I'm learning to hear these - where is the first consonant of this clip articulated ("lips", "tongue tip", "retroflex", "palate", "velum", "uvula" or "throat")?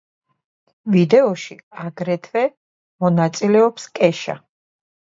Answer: lips